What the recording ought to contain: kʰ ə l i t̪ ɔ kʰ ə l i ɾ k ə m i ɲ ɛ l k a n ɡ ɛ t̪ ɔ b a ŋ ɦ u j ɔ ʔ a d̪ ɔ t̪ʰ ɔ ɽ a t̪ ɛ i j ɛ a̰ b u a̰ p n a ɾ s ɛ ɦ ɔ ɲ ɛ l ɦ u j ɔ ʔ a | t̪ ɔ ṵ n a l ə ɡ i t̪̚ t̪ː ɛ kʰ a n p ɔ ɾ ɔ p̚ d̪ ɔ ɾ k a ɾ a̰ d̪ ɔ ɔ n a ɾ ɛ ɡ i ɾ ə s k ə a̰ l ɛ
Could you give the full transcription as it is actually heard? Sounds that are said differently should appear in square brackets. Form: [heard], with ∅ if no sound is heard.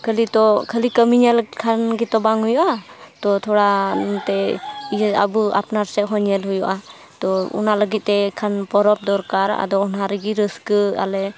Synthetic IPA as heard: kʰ ə l i t̪ ɔ kʰ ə l i [∅] k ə m i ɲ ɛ l [kʰ] a n ɡ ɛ t̪ ɔ b a ŋ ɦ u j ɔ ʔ a [t̪] ɔ t̪ʰ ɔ ɽ a t̪ ɛ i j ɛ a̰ b u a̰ p n a ɾ s ɛ ɦ ɔ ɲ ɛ l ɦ u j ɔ ʔ a | t̪ ɔ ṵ n a l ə ɡ i t̪̚ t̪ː ɛ kʰ a n p ɔ ɾ ɔ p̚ d̪ ɔ ɾ k a ɾ a̰ d̪ ɔ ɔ n a ɾ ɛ ɡ i ɾ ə s k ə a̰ l ɛ